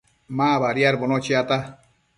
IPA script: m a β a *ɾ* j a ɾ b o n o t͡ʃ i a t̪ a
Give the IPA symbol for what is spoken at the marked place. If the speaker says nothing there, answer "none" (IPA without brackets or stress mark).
ɾ